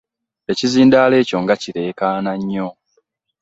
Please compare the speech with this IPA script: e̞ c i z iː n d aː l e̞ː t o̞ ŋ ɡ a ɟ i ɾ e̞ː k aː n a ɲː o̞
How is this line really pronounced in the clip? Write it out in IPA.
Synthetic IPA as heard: e̞ c i z iː n d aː l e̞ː c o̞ ŋ ɡ a c i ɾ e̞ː k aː n a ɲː o̞